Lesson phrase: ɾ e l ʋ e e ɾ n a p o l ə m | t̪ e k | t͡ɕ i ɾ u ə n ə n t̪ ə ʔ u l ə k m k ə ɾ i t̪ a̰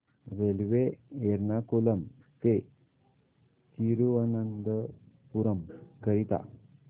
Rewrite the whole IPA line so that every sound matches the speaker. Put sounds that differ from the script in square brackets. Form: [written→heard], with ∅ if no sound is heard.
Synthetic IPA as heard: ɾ e l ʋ e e ɾ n a [p→k] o l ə m | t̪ e [k→∅] | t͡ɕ i ɾ u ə n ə n [t̪→d̪] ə [ʔ→p] u [l→ɾ] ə [k→∅] m k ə ɾ i t̪ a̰